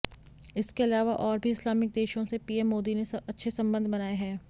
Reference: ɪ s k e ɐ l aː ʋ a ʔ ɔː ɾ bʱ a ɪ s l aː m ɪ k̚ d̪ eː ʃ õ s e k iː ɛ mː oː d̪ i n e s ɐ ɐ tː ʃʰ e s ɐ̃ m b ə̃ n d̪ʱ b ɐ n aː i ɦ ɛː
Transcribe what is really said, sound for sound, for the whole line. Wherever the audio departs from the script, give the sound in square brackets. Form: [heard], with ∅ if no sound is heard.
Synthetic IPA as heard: ɪ s k e ɐ l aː ʋ a ʔ ɔː ɾ bʱ [i] ɪ s l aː m ɪ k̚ d̪ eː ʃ õ s e [p] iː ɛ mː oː d̪ i n e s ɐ ɐ tː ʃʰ e s ɐ̃ m b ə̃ n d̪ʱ b ɐ n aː [e] ɦ ɛː